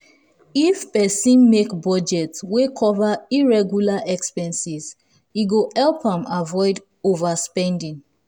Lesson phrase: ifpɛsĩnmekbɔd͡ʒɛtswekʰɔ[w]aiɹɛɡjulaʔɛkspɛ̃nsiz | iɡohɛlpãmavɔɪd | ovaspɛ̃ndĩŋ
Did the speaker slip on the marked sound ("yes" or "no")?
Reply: yes